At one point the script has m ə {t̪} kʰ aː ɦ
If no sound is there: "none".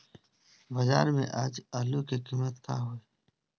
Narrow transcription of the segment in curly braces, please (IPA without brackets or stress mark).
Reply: t̪